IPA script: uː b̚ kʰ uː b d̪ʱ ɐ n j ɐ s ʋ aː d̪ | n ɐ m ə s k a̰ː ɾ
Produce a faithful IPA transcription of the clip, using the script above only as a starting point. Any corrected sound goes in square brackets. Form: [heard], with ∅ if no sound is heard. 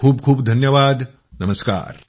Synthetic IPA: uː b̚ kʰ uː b d̪ʱ ɐ n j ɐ [∅] ʋ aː d̪ | n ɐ m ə s k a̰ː ɾ

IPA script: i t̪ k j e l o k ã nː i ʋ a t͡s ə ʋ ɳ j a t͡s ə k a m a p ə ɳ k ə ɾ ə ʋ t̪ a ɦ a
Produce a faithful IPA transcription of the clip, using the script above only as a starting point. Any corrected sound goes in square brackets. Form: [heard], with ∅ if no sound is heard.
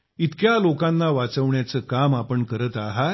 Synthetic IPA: i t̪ k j [a] l o k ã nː [a] ʋ a t͡s ə ʋ ɳ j a t͡s ə k a m a p ə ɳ k ə ɾ ə [∅] t̪ a ɦ a

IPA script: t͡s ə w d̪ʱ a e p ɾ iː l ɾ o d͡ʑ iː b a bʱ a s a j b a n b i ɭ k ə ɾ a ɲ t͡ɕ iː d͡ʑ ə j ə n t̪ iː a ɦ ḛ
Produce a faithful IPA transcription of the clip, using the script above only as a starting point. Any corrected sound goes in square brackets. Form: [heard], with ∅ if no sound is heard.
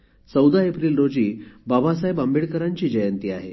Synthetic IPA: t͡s ə w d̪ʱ a e p ɾ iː l ɾ o d͡ʑ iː b a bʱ a s a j b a [m] b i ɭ k ə ɾ a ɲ t͡ɕ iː d͡ʑ ə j ə n t̪ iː a ɦ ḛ

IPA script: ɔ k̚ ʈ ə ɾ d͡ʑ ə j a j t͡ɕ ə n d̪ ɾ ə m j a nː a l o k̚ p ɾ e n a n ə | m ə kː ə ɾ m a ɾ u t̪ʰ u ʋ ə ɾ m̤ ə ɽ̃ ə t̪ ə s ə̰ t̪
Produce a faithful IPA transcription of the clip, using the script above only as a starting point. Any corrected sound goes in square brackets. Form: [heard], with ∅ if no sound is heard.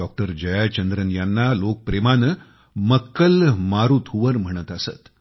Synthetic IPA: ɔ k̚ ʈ ə ɾ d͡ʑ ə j a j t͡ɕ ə n d̪ ɾ ə [n] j a nː a l o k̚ p ɾ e [m] a n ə | m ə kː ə [l] m a ɾ u t̪ʰ u ʋ ə ɾ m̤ ə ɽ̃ ə t̪ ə s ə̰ t̪

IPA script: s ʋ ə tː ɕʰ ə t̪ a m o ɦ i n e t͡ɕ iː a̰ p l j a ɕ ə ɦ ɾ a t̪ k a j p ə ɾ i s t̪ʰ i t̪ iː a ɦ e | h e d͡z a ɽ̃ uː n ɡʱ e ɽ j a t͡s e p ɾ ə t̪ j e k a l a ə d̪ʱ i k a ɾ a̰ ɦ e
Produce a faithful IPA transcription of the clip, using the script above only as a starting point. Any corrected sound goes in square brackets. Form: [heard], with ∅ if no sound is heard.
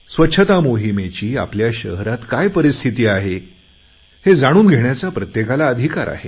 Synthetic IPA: s ʋ ə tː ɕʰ ə t̪ a m o ɦ i [m] e t͡ɕ iː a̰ p l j a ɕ ə ɦ ɾ a t̪ k a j p ə ɾ i s t̪ʰ i t̪ iː a ɦ e | h e d͡z a ɽ̃ uː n ɡʱ e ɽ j a t͡s [a] p ɾ ə t̪ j e k a l a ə d̪ʱ i k a ɾ a̰ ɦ e

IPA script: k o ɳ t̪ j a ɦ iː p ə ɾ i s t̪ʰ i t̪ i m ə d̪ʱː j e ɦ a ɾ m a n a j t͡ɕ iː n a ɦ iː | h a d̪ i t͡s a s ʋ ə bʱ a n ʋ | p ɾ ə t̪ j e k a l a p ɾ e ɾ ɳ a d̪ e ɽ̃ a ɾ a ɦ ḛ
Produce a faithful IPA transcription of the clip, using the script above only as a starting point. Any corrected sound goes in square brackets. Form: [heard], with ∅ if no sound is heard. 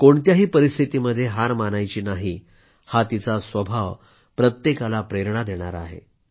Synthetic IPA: k o ɳ t̪ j a ɦ iː p ə ɾ i s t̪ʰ i t̪ i m ə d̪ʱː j e ɦ a ɾ m a n a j t͡ɕ iː n a ɦ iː | h a [t̪] i t͡s a s ʋ ə bʱ a [∅] ʋ | p ɾ ə t̪ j e k a l a p ɾ e ɾ ɳ a d̪ e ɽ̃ a ɾ a ɦ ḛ

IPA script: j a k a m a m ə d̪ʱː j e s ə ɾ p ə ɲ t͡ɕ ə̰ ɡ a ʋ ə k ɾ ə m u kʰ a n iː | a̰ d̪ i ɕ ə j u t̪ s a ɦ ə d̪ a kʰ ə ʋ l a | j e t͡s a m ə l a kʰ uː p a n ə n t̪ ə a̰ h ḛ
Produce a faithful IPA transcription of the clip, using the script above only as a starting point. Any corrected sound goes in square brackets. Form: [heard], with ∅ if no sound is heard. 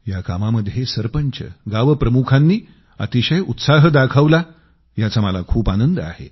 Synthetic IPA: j a k a m a m ə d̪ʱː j e s ə ɾ p ə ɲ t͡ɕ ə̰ ɡ a ʋ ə [p] ɾ ə m u kʰ a [nː] iː | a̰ [t̪] i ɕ ə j u t̪ s a ɦ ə d̪ a kʰ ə ʋ l a | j [a] t͡s a m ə l a kʰ uː p a n ə n [d̪] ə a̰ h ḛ

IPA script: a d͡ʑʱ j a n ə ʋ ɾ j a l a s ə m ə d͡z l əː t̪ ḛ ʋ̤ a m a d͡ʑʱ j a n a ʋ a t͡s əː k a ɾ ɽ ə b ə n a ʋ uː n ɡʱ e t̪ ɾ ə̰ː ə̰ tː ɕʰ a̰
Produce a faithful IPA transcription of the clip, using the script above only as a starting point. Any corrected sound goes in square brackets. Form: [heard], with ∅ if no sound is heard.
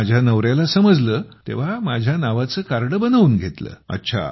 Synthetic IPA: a d͡ʑʱ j a n ə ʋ ɾ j a l a s ə m ə d͡z l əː t̪ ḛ ʋ̤ a m a d͡ʑʱ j a n a ʋ a t͡s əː k a ɾ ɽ ə b ə n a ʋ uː n ɡʱ e t̪ [l] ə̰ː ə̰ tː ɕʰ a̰

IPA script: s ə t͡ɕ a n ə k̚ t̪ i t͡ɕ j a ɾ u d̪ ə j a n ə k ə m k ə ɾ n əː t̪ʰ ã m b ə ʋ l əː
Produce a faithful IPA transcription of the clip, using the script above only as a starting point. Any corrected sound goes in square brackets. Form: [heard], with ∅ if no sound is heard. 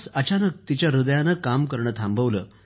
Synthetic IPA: s ə t͡ɕ a n ə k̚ t̪ i t͡ɕ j a ɾ u d̪ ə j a n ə k [a] m k ə ɾ [ɳ] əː t̪ʰ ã m b ə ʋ l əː

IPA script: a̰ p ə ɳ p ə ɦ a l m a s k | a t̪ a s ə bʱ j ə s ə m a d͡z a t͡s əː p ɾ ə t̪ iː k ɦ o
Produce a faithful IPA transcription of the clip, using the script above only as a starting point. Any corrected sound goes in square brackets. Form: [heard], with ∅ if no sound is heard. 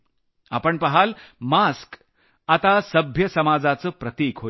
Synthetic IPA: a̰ p ə ɳ p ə ɦ a l m a s k | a t̪ a s ə bʱ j ə s ə m a d͡z a t͡s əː p ɾ ə t̪ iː k ɦ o

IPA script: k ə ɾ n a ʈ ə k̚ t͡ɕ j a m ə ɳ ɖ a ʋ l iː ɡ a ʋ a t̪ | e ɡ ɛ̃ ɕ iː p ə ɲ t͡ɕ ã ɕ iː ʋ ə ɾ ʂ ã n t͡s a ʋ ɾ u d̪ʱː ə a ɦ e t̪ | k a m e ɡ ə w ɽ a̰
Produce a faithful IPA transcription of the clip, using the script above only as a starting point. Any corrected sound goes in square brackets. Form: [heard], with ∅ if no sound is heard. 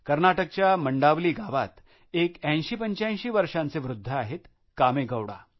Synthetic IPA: k ə ɾ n a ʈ ə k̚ t͡ɕ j a m ə ɳ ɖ a ʋ l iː ɡ a ʋ a t̪ | e [k] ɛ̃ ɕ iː p ə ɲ t͡ɕ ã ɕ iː ʋ ə ɾ ʂ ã n t͡s [e] ʋ ɾ u d̪ʱː ə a ɦ e t̪ | k a m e ɡ ə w ɽ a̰

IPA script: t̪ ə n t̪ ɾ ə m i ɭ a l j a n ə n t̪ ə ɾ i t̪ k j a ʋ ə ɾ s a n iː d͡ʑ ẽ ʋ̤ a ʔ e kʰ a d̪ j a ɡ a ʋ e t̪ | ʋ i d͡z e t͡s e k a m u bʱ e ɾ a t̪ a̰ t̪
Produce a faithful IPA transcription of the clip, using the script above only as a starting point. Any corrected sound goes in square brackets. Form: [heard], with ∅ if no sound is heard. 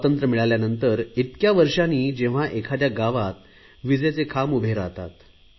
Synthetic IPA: t̪ ə n t̪ ɾ ə m i ɭ a l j a n ə n t̪ ə ɾ i t̪ k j a ʋ ə ɾ [ʂ] a n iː d͡ʑ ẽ ʋ̤ a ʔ e kʰ a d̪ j a ɡ a ʋ [a] t̪ | ʋ i d͡z e t͡s e [kʰ] a m u bʱ e ɾ a t̪ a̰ t̪

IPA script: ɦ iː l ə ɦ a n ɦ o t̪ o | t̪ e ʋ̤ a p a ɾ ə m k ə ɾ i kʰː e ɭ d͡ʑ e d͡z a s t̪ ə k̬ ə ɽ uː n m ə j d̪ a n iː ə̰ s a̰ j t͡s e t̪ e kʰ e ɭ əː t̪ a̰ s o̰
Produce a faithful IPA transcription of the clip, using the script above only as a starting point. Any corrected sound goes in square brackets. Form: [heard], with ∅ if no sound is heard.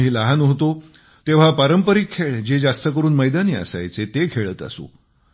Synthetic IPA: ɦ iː l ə ɦ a n ɦ o t̪ o | t̪ e ʋ̤ a p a ɾ ə m [p] ə ɾ i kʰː e ɭ d͡ʑ e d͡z a s t̪ ə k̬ ə [ɾ] uː n m ə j d̪ a n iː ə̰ s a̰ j t͡s e t̪ e kʰ e ɭ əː t̪ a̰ s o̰

